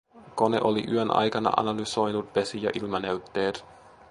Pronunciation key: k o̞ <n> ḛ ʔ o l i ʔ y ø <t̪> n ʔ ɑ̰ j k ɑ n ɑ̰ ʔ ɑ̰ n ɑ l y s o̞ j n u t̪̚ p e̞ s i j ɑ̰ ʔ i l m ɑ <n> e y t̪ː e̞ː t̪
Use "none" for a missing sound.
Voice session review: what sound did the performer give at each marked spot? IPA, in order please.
n, none, n

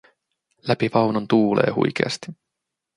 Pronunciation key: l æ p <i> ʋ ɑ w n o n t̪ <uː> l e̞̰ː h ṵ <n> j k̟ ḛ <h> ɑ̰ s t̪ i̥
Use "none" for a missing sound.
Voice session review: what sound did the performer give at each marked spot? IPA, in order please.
i, uː, none, none

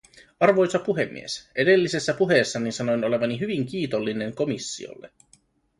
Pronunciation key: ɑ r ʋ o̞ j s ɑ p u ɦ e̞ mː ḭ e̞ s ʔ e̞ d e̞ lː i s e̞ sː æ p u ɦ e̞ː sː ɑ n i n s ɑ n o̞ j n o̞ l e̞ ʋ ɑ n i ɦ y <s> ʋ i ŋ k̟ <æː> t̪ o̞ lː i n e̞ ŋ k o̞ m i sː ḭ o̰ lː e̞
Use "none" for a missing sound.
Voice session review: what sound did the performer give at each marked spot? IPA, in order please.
none, iː

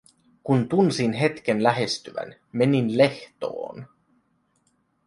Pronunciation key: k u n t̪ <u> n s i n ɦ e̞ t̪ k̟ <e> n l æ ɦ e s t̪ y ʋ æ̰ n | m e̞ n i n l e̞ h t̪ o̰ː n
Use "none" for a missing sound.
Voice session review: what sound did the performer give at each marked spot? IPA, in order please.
u, e

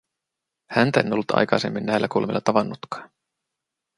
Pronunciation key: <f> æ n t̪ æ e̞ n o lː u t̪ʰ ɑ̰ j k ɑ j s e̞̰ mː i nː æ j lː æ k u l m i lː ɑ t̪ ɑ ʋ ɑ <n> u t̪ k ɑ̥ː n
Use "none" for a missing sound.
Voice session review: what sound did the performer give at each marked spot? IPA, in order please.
h, nː

